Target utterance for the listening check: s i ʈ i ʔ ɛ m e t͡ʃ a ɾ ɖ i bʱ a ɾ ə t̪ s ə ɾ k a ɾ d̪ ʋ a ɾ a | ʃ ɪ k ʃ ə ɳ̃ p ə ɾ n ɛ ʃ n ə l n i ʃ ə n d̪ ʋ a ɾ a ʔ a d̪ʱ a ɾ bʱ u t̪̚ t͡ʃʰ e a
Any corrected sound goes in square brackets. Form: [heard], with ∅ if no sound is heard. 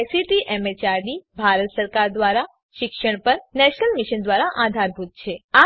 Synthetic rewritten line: s i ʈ i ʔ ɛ m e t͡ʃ a ɾ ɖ i bʱ a ɾ ə t̪ s ə ɾ k a ɾ d̪ ʋ a ɾ a | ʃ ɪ k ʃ ə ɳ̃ p ə ɾ n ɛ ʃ n ə l [m] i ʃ ə n d̪ ʋ a ɾ a ʔ a d̪ʱ a ɾ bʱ u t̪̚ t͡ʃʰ e a